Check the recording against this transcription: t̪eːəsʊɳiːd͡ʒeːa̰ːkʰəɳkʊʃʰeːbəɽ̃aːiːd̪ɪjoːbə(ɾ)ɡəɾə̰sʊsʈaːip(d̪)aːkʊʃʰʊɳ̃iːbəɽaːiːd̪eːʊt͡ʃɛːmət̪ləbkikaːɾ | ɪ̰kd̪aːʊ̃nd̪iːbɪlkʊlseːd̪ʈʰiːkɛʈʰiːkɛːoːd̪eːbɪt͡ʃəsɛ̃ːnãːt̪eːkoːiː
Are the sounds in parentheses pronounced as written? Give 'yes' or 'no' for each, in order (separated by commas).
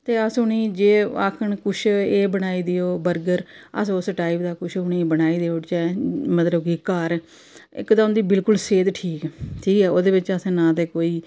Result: yes, yes